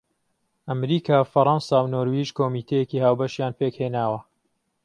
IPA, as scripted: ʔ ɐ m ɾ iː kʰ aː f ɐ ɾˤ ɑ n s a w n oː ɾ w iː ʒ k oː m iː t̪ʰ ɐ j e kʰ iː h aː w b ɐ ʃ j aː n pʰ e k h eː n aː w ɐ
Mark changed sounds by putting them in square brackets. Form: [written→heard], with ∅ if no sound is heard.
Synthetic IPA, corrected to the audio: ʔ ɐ m ɾ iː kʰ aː f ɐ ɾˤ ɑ n s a w n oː ɾ w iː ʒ k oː m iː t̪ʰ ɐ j e [kʰ→k] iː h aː w b ɐ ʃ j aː n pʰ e k h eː n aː w ɐ